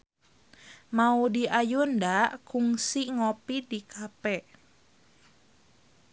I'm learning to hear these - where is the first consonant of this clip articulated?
lips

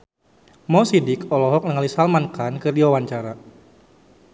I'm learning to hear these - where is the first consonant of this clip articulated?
lips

